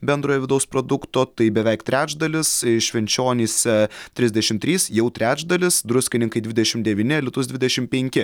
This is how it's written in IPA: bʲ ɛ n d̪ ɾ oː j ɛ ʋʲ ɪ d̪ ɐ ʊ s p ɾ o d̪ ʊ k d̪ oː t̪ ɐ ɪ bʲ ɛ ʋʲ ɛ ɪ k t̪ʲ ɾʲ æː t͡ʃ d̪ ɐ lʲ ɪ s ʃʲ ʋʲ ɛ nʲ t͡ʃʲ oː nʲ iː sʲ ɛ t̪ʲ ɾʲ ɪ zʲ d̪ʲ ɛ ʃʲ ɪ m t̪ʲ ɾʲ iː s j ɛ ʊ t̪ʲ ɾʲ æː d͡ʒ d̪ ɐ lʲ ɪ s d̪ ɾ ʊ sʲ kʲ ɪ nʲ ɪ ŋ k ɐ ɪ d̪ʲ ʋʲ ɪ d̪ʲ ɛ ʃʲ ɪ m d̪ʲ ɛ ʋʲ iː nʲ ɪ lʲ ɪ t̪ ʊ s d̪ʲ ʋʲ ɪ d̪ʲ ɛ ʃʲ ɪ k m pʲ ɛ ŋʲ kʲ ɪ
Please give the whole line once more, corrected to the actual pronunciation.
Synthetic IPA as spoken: bʲ ɛ n d̪ ɾ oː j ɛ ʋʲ ɪ d̪ ɐ ʊ s p ɾ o d̪ ʊ k t̪ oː t̪ ɐ ɪ bʲ ɛ ʋʲ ɛ ɪ k t̪ʲ ɾʲ æː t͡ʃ d̪ ɐ lʲ ɪ s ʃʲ ʋʲ ɛ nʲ t͡ʃʲ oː nʲ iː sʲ ɛ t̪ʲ ɾʲ ɪ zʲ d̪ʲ ɛ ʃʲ ɪ m t̪ʲ ɾʲ iː s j ɛ ʊ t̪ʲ ɾʲ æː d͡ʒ d̪ ɐ lʲ ɪ s d̪ ɾ ʊ sʲ kʲ ɪ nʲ ɪ ŋ k ɐ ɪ d̪ʲ ʋʲ ɪ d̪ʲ ɛ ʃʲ ɪ m d̪ʲ ɛ ʋʲ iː nʲ ɪ lʲ ɪ t̪ ʊ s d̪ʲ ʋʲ ɪ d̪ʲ ɛ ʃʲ ɪ m pʲ ɛ ŋʲ kʲ ɪ

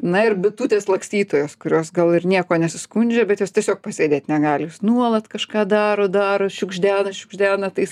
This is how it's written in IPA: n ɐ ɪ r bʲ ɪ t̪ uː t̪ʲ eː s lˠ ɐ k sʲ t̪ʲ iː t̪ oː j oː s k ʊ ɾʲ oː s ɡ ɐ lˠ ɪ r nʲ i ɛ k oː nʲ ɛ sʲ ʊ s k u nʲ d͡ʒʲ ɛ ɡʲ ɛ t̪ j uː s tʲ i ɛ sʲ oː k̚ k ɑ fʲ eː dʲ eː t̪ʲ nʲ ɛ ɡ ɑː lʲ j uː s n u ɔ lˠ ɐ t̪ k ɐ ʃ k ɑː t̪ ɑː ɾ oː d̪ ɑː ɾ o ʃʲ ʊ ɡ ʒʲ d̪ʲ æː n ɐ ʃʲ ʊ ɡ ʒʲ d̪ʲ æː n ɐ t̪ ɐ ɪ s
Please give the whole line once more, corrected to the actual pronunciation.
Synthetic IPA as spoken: n ɐ ɪ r bʲ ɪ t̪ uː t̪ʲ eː s lˠ ɐ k sʲ t̪ʲ iː t̪ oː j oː s k ʊ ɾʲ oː s ɡ ɐ lˠ ɪ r nʲ i ɛ k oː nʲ ɛ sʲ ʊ s k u nʲ d͡ʒʲ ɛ bʲ ɛ t̪ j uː s tʲ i ɛ sʲ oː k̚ p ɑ sʲ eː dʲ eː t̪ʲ nʲ ɛ ɡ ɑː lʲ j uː s n u ɔ lˠ ɐ t̪ k ɐ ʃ k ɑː d̪ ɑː ɾ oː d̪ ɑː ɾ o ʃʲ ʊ ɡ ʒʲ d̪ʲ æː n ɐ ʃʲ ʊ ɡ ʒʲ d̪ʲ æː n ɐ t̪ ɐ ɪ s

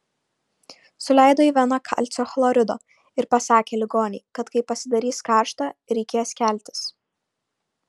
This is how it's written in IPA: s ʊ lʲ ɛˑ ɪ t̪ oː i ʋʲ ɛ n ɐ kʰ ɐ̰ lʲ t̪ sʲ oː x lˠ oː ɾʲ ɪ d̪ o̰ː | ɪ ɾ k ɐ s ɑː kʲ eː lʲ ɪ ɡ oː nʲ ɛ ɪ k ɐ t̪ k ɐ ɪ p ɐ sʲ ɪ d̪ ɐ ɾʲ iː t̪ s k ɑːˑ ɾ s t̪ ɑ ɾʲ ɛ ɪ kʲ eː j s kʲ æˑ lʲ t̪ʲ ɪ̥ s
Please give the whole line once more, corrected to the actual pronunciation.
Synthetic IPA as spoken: s ʊ lʲ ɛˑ ɪ d̪ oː i ʋʲ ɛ n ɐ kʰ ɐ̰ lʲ t̪ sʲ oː x lˠ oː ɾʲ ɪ d̪ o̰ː | ɪ ɾ p ɐ s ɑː kʲ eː lʲ ɪ ɡ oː nʲ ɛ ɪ k ɐ t̪ k ɐ ɪ p ɐ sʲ ɪ d̪ ɐ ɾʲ iː s k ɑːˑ ɾ ʃ t̪ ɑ ɾʲ ɛ ɪ kʲ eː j s kʲ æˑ lʲ t̪ʲ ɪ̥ s

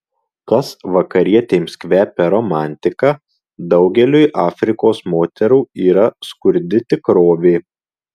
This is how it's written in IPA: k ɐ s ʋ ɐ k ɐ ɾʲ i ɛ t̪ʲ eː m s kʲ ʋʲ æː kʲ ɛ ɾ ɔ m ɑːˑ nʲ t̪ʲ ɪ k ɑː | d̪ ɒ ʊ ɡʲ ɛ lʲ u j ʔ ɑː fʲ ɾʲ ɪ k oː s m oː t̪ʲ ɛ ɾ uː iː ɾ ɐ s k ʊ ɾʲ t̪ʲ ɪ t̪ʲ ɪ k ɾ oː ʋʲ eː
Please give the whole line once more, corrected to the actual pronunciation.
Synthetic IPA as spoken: k ɐ s ʋ ɐ k ɐ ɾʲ i ɛ t̪ʲ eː m s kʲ ʋʲ æː pʲ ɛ ɾ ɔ m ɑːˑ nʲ t̪ʲ ɪ k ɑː | d̪ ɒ ʊ ɡʲ ɛ lʲ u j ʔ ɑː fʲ ɾʲ ɪ k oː s m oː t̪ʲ ɛ ɾ uː iː ɾ ɐ s k ʊ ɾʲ d̪ʲ ɪ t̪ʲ ɪ k ɾ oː ʋʲ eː

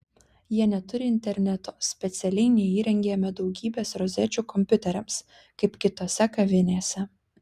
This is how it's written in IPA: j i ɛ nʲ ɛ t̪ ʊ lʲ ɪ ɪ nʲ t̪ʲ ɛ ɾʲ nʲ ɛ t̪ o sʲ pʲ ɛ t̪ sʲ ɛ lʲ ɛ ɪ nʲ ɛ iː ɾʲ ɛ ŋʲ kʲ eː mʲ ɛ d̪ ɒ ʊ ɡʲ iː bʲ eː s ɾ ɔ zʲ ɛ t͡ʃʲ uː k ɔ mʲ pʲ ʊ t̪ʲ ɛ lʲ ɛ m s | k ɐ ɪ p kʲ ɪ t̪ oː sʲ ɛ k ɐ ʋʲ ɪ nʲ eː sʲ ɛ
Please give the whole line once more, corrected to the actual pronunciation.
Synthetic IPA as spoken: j i ɛ nʲ ɛ t̪ ʊ ɾʲ ɪ ɪ nʲ t̪ʲ ɛ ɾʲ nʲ ɛ t̪ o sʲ pʲ ɛ t̪ sʲ ɛ lʲ ɛ ɪ nʲ ɛ iː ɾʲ ɛ ŋʲ ɡʲ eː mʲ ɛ d̪ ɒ ʊ ɡʲ iː bʲ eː s ɾ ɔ zʲ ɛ t͡ʃʲ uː k ɔ mʲ pʲ ʊ t̪ʲ ɛ ɾʲ ɛ m s | k ɐ ɪ p kʲ ɪ t̪ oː sʲ ɛ k ɐ ʋʲ ɪ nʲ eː sʲ ɛ

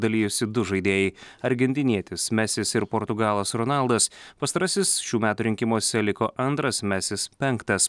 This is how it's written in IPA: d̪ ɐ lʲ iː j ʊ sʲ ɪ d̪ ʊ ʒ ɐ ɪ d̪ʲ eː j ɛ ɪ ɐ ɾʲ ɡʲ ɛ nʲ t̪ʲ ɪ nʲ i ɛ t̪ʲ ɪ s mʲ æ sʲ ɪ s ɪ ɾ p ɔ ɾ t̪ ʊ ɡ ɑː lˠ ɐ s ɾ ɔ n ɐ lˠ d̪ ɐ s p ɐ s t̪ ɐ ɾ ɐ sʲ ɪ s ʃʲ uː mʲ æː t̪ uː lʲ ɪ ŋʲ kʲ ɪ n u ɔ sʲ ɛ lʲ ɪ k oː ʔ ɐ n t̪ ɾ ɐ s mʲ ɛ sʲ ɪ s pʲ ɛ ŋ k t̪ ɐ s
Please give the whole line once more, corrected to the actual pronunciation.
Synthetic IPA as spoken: d̪ ɐ lʲ iː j ʊ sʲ ɪ d̪ ʊ ʒ ɐ ɪ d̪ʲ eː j ɛ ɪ ɐ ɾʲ ɡʲ ɛ nʲ t̪ʲ ɪ nʲ i ɛ t̪ʲ ɪ s mʲ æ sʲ ɪ s ɪ ɾ p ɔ ɾ t̪ ʊ ɡ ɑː lˠ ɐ s ɾ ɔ n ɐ lˠ d̪ ɐ s p ɐ s t̪ ɐ ɾ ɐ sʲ ɪ s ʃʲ uː mʲ æː t̪ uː ɾʲ ɪ ŋʲ kʲ ɪ m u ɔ sʲ ɛ lʲ ɪ k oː ʔ ɐ n t̪ ɾ ɐ s mʲ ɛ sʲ ɪ s pʲ ɛ ŋ k t̪ ɐ s

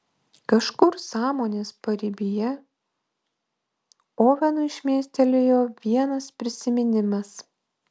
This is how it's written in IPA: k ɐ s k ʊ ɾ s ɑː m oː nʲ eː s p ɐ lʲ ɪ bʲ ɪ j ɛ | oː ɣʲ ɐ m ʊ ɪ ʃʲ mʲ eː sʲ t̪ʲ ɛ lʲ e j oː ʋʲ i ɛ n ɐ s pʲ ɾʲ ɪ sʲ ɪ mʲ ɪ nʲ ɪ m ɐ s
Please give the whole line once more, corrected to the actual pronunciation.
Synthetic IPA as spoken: k ɐ ʃ k ʊ ɾ s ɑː m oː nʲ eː s p ɐ ɾʲ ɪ bʲ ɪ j ɛ | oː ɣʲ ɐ n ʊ ɪ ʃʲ mʲ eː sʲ t̪ʲ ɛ lʲ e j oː ʋʲ i ɛ n ɐ s pʲ ɾʲ ɪ sʲ ɪ mʲ ɪ nʲ ɪ m ɐ s

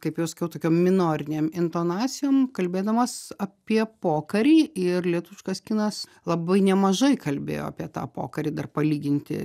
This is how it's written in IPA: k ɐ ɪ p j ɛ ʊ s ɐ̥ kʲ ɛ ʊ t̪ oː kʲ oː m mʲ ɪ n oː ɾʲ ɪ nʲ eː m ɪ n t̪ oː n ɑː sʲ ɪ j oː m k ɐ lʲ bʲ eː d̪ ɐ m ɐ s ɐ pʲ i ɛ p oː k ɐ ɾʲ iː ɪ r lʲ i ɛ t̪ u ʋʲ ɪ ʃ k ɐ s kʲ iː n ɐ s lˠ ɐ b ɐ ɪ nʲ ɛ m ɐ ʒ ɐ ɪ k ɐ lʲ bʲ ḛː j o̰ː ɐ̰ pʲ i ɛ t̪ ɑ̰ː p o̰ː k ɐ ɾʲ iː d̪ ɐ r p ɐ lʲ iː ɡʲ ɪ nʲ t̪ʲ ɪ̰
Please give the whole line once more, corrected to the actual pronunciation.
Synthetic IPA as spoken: k ɐ ɪ p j ɛ ʊ s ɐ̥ kʲ ɛ ʊ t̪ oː kʲ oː m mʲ ɪ n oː ɾʲ ɪ nʲ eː m ɪ n t̪ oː n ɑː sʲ ɪ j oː m k ɐ lʲ bʲ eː d̪ ɐ m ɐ s ɐ pʲ i ɛ p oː k ɐ ɾʲ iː ɪ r lʲ i ɛ t̪ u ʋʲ ɪ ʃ k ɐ s kʲ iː n ɐ s lˠ ɐ b ɐ ɪ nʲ ɛ m ɐ ʒ ɐ ɪ k ɐ lʲ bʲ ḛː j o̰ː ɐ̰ pʲ i ɛ t̪ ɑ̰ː p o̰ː k ɐ ɾʲ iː d̪ ɐ r p ɐ lʲ iː ɡʲ ɪ nʲ t̪ʲ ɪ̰

